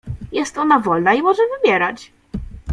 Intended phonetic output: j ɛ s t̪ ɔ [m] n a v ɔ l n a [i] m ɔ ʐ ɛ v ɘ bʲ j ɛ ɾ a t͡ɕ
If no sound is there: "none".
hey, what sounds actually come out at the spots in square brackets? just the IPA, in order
none, i

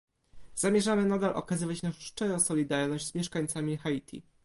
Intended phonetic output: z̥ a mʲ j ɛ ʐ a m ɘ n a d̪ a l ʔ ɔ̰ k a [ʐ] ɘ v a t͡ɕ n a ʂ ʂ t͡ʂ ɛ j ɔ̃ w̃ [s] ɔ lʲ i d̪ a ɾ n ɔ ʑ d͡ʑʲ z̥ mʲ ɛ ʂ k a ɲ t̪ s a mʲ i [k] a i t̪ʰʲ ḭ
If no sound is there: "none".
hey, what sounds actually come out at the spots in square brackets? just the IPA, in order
z, s, x

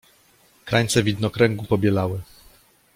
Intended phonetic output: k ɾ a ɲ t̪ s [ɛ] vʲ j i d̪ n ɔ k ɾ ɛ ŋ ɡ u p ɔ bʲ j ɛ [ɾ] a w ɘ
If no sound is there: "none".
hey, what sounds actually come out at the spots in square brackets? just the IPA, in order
ɛ, l

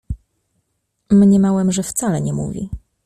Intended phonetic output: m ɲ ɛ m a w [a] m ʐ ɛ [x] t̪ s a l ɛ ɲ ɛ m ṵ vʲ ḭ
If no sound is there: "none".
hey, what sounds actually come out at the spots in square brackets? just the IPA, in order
ɛ, f

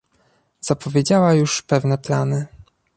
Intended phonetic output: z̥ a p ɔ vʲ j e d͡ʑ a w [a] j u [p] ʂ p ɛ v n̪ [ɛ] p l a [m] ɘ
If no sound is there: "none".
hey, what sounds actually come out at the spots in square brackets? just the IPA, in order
a, none, ɛ, n

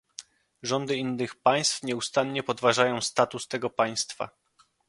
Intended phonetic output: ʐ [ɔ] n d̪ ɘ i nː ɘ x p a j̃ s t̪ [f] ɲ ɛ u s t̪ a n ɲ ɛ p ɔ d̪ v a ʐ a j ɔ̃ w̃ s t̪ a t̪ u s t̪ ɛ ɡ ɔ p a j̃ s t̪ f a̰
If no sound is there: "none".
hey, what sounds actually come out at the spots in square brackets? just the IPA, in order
ɔ, f

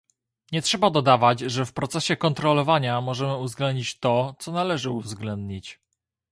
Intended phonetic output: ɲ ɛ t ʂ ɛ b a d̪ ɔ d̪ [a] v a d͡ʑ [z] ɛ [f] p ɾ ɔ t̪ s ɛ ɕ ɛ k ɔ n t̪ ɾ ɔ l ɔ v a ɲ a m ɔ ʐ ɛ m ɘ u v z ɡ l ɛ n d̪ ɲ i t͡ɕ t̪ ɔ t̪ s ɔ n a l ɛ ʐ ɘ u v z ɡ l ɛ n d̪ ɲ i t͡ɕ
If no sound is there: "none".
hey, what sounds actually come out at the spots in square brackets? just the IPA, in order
a, ʐ, f

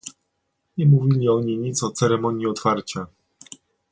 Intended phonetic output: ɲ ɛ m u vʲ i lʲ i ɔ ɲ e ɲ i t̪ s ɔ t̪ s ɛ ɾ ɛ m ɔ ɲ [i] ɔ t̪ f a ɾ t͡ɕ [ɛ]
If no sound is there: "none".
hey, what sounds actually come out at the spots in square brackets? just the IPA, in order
i, a

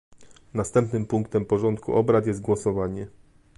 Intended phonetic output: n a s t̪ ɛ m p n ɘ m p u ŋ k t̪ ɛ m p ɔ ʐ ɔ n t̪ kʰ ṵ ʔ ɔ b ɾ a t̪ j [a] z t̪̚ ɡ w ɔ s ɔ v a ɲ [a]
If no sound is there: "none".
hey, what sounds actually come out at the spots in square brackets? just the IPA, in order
ɛ, ɛ

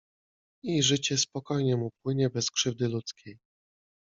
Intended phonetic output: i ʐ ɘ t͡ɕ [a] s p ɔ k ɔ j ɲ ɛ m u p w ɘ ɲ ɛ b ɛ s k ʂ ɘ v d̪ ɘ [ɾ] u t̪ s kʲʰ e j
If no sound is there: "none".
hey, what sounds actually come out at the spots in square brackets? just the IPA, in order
ɛ, l

